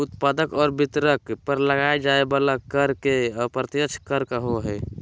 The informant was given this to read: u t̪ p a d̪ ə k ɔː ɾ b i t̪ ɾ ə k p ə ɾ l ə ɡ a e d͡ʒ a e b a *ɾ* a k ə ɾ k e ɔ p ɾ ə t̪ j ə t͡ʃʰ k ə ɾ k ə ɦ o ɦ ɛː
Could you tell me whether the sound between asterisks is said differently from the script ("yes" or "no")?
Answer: yes